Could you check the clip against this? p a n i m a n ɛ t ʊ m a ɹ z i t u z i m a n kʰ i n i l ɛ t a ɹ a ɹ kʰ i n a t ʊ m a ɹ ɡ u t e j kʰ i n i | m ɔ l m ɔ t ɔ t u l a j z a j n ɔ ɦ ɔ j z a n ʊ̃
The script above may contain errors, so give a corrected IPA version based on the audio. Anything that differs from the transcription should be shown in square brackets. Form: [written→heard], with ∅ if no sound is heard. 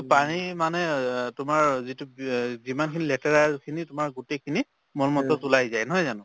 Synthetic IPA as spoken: p a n i m a n ɛ t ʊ m a ɹ z i t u z i m a n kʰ i n i l ɛ t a ɹ a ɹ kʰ i n [a→i] t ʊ m a ɹ ɡ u t e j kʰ i n i | m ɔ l m ɔ t ɔ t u l a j z a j n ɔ ɦ ɔ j z a n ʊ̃